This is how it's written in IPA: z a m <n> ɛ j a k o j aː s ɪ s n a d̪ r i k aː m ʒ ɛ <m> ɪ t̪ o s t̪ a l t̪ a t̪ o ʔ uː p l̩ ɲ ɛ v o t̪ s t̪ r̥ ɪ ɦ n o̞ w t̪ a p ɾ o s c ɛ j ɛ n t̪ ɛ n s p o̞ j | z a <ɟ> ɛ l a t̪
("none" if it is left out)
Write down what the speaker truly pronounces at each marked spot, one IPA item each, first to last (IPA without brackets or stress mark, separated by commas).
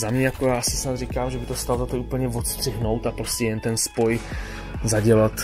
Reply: ɲ, b, ɟ